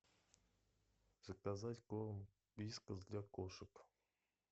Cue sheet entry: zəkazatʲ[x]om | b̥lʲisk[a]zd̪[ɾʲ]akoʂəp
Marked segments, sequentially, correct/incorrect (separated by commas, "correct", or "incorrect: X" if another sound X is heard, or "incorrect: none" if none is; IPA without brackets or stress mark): incorrect: k, incorrect: ə, incorrect: lʲ